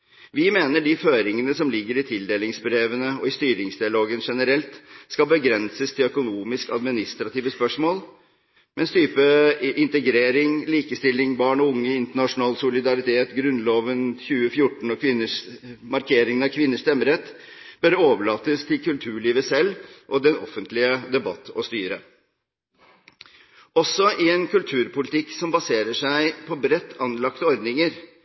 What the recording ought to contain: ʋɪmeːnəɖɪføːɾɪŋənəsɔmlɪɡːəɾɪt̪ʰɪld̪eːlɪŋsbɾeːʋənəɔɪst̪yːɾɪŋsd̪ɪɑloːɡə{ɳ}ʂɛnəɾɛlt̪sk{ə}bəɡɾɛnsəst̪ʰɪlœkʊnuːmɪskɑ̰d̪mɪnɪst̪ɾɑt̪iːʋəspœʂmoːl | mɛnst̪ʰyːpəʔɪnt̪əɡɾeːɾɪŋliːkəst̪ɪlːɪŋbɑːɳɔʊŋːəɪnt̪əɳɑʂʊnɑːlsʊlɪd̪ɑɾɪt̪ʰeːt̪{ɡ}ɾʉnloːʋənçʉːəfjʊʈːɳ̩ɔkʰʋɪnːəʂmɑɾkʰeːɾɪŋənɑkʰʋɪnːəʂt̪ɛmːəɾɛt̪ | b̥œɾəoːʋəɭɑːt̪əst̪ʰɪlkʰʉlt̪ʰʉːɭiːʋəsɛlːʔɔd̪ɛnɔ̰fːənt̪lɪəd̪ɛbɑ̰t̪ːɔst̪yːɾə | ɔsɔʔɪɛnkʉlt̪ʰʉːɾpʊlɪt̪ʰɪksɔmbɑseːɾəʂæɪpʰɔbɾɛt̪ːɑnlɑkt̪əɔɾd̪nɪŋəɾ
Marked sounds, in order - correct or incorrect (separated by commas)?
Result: incorrect, incorrect, correct